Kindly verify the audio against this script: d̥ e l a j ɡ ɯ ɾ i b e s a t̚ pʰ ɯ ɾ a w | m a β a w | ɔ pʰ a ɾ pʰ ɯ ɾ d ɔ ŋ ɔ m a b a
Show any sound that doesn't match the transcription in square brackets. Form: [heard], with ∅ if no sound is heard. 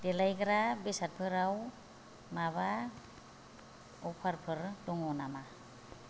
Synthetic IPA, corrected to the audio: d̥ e l a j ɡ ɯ ɾ [a] b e s a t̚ pʰ ɯ ɾ a w | m a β a [∅] | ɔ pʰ a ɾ pʰ ɯ ɾ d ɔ ŋ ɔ [n] a [m] a